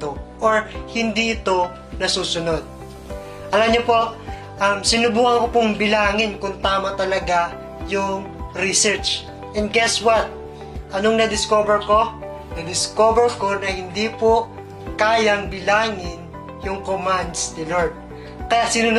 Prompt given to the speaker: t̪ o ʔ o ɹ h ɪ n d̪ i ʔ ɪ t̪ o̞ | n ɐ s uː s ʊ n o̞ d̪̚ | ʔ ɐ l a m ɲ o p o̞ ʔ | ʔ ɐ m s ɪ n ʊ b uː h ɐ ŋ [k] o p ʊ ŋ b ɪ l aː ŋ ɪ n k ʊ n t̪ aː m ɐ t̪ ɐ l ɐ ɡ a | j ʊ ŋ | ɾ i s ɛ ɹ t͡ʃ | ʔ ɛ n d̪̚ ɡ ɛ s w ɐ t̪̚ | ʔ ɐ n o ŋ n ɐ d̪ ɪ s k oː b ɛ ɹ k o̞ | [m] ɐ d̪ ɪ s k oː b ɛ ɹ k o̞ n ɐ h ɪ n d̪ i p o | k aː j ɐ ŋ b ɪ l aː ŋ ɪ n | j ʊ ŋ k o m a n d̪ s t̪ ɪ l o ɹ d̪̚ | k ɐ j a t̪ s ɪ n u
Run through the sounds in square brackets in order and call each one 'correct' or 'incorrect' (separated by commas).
correct, incorrect